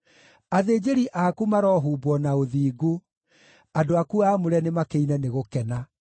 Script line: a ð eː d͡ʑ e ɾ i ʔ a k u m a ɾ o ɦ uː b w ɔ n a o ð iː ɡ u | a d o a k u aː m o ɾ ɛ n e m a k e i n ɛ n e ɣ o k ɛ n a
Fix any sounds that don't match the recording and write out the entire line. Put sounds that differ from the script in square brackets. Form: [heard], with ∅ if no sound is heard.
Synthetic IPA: a ð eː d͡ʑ e ɾ i ʔ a k u m a ɾ [ɔ] ɦ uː b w ɔ n a o ð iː ɡ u | a d o a k u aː m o ɾ ɛ n e m a k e i n ɛ n e ɣ o k ɛ n a